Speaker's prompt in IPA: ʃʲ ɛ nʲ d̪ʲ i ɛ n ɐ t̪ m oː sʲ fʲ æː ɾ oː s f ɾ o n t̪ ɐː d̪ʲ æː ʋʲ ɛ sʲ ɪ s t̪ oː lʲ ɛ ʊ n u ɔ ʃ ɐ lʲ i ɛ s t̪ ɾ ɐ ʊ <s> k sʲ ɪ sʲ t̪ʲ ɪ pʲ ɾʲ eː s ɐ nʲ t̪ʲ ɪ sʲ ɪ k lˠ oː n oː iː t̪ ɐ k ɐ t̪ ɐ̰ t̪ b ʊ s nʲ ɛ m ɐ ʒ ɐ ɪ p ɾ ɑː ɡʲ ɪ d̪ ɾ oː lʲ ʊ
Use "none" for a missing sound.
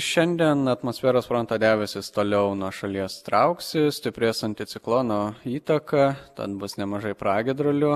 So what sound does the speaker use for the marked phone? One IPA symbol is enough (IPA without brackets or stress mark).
none